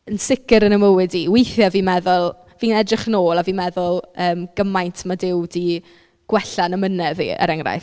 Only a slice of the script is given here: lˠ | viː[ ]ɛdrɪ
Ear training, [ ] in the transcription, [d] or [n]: n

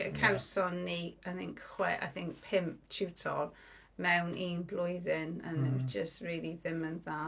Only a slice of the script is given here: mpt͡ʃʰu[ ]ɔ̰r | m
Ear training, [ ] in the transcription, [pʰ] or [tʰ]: tʰ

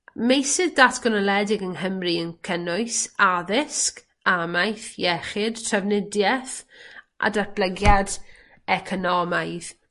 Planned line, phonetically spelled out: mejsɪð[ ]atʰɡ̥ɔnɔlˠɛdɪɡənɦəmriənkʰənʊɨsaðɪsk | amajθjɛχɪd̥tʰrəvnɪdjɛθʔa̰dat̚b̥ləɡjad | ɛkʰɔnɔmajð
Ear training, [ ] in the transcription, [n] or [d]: d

